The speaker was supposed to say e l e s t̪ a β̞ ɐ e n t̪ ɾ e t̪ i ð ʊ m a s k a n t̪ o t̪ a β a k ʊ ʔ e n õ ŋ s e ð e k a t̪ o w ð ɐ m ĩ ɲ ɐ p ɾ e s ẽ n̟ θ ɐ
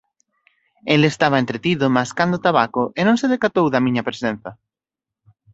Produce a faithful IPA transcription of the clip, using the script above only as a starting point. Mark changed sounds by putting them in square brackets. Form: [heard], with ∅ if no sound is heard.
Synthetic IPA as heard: e l e s t̪ a β̞ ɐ e n t̪ ɾ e t̪ i ð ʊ m a s k a n [d̪] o t̪ a β a k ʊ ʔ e n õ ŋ s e ð e k a t̪ o w ð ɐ m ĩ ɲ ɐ p ɾ e s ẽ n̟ θ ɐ

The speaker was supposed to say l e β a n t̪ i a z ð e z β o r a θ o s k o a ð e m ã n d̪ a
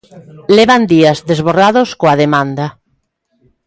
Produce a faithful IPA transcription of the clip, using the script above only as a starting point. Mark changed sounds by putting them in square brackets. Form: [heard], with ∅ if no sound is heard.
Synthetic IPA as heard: l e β a n [d̪] i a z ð e z β o r a [ð] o s k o a ð e m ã n d̪ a

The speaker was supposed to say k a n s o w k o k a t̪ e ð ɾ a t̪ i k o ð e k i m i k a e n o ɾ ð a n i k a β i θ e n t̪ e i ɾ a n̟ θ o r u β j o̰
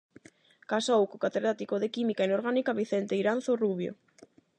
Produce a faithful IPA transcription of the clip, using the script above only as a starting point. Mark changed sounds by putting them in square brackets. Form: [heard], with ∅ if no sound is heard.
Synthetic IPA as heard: k a [∅] s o w k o k a t̪ e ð ɾ a t̪ i k o ð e k i m i k a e n o ɾ [ɣ] a n i k a β i θ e n t̪ e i ɾ a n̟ θ o r u β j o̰

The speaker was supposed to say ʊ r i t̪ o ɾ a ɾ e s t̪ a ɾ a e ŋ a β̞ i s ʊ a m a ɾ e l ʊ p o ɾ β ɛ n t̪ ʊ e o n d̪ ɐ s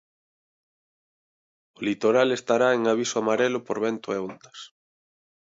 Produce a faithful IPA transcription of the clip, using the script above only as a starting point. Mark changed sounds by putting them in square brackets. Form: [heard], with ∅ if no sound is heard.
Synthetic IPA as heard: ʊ [l] i t̪ o ɾ a [l] e s t̪ a ɾ a e ŋ a β̞ i s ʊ a m a ɾ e l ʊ p o ɾ β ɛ n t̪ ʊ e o n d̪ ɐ s

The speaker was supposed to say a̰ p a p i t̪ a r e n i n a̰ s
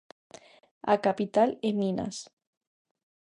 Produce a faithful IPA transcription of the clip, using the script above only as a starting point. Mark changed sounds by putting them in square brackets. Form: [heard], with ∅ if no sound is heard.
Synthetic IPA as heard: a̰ [k] a p i t̪ a [l] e [m] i n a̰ s

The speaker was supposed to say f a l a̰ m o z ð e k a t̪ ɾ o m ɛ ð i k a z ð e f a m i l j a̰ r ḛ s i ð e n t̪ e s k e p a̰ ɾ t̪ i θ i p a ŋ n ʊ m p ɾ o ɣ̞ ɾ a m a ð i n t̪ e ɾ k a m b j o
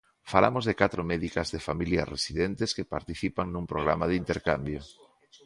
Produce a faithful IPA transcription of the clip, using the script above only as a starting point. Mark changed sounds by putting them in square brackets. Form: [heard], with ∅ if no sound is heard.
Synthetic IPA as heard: f a l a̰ m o z ð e k a t̪ ɾ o m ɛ ð i k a z ð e f a m i l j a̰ r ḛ s i ð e n t̪ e s k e p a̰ ɾ t̪ i θ i p a ŋ n [u] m p ɾ o ɣ̞ ɾ a m a ð i n t̪ e ɾ k a m b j o

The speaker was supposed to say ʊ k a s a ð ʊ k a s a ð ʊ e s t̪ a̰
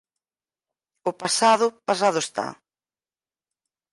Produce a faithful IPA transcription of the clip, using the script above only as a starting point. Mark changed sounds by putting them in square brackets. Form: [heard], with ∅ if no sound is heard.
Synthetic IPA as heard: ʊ [p] a s a ð ʊ [p] a s a ð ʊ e s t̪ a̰

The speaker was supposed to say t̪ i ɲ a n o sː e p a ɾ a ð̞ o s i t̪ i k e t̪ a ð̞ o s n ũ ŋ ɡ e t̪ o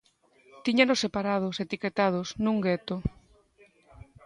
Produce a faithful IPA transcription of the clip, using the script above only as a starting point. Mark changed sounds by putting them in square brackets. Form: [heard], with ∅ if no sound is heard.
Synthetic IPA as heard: t̪ i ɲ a n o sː e p a ɾ a ð̞ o s [e] t̪ i k e t̪ a ð̞ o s n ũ ŋ ɡ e t̪ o

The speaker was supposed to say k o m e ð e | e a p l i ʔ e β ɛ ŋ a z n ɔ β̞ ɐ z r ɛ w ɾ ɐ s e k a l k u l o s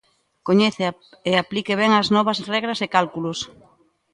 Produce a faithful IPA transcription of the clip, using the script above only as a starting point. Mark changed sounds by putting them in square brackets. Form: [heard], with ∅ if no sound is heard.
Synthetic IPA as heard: k o [ɲ] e [θ] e | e a p l i [k] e β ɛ ŋ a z n ɔ β̞ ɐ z r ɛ [ɣ] ɾ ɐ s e k a l k u l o s

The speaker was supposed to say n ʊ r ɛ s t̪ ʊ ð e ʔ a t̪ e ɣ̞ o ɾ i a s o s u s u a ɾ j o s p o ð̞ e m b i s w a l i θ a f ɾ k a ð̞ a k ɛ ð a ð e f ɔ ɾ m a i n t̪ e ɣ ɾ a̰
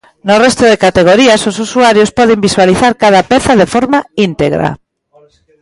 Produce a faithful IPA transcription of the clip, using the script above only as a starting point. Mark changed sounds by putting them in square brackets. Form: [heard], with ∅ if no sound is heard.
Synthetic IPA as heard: n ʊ r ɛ s t̪ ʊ ð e [k] a t̪ e ɣ̞ o ɾ i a s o s u s u a ɾ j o s p [ɔ] ð̞ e m b i s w a l i θ a [∅] ɾ k a ð̞ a [p] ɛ [θ] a ð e f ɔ ɾ m a i n t̪ e ɣ ɾ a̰

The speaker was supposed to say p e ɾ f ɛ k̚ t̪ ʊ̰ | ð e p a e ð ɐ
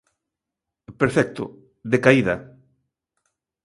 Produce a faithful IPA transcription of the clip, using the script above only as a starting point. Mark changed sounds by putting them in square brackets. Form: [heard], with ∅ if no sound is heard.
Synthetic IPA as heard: p e ɾ f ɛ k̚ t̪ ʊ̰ | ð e [k] a [i] ð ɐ

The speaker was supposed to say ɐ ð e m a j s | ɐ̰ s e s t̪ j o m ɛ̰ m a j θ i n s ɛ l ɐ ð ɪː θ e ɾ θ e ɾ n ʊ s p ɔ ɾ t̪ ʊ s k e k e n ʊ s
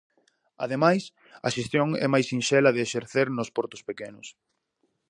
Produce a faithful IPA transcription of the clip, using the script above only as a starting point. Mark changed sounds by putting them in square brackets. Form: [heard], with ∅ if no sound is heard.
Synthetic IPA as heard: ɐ ð e m a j s | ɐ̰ [ʃ] e s t̪ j o [ŋ] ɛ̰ m a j [s] i n [ʃ] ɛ l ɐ ð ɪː [ʃ] e ɾ θ e ɾ n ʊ s p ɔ ɾ t̪ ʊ s [p] e k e n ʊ s

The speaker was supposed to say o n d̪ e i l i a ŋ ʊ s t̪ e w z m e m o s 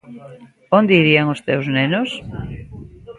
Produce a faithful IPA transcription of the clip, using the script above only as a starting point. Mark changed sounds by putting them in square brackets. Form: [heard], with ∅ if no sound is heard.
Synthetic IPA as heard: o n d̪ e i [ɾ] i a ŋ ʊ s t̪ e w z [n] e [n] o s

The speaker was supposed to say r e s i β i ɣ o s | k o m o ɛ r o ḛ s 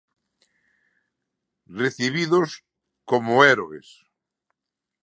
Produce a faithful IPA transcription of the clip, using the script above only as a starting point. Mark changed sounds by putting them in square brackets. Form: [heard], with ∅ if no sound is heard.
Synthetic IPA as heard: r e [θ] i β i [ð] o s | k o m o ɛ [ɾ] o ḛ s

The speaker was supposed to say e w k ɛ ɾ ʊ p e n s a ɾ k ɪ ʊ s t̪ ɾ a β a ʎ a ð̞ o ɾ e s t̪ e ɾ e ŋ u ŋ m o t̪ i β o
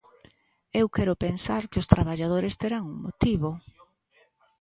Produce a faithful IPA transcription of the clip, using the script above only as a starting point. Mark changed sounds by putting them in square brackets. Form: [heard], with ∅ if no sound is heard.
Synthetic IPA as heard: e w k ɛ ɾ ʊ p e n s a ɾ k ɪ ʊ s t̪ ɾ a β a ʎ a ð̞ o ɾ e s t̪ e ɾ [a] ŋ u ŋ m o t̪ i β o

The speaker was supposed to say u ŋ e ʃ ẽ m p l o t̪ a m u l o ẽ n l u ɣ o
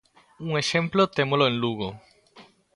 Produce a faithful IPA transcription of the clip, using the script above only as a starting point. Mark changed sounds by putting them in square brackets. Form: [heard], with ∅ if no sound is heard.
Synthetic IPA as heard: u ŋ e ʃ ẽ m p l o t̪ [e] m [o] l o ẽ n l u ɣ o

